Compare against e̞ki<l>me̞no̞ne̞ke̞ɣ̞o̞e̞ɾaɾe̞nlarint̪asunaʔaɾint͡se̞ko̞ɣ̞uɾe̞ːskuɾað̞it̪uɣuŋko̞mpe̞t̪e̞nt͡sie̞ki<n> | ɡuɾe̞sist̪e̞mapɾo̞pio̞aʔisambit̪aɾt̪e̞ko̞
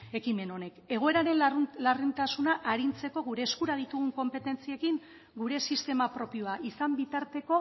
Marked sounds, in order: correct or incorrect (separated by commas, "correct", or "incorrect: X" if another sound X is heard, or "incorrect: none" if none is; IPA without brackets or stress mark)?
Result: incorrect: none, incorrect: ŋ